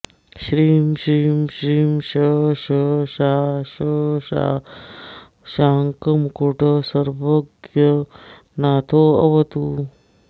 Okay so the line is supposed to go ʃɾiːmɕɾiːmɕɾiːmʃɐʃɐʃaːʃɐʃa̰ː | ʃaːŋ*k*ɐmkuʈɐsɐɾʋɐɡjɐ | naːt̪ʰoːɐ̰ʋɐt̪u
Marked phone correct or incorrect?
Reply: correct